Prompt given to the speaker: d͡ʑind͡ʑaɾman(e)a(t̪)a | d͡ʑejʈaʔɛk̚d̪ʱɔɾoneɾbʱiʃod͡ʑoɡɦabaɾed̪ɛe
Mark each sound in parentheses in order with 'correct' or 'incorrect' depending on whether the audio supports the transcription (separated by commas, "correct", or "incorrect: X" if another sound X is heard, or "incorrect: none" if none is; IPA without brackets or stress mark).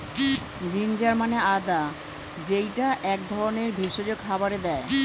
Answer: correct, incorrect: d̪